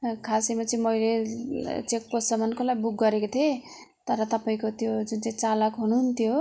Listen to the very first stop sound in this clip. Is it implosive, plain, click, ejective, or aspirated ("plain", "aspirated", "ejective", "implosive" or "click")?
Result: aspirated